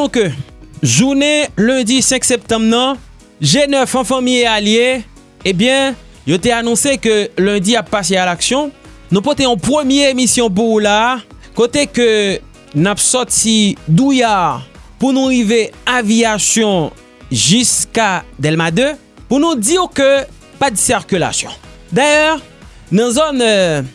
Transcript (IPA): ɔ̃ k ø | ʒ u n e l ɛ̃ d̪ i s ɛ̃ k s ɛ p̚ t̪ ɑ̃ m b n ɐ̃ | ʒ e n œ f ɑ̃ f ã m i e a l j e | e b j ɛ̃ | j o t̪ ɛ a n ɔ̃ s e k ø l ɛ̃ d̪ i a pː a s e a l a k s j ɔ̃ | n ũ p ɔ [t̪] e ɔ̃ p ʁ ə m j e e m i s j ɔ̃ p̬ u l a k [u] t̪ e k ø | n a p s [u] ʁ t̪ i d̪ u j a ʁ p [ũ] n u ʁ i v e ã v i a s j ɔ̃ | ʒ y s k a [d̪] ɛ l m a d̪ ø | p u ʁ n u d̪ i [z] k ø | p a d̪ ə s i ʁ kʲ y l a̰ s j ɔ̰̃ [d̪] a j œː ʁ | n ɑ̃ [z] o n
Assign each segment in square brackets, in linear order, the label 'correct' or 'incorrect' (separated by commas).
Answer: correct, incorrect, incorrect, incorrect, correct, incorrect, correct, correct